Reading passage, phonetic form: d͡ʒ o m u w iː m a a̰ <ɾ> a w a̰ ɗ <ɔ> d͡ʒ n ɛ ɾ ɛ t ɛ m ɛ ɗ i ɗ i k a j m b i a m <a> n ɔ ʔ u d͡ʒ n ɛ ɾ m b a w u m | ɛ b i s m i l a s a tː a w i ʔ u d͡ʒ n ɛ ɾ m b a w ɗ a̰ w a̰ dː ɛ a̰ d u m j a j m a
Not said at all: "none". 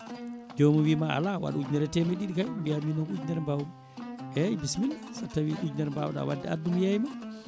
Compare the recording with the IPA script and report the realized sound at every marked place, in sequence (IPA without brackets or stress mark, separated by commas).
l, u, i